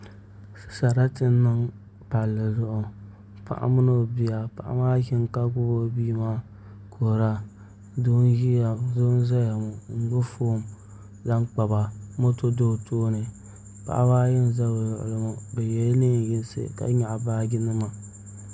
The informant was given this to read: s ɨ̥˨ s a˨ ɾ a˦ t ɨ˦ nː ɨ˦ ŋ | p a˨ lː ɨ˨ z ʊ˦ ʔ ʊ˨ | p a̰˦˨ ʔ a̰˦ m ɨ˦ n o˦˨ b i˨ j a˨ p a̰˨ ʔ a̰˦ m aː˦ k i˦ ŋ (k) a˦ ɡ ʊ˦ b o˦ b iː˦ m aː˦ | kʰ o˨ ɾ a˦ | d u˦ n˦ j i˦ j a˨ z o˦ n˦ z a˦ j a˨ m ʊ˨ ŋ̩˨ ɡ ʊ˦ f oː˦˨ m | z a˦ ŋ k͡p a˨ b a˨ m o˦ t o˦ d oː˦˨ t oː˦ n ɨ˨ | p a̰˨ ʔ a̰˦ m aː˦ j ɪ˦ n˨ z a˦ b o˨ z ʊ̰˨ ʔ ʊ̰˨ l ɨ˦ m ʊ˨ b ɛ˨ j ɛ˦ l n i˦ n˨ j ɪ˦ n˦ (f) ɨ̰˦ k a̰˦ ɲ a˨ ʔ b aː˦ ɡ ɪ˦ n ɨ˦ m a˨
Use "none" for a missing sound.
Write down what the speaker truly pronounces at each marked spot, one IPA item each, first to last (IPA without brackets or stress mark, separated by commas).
k, s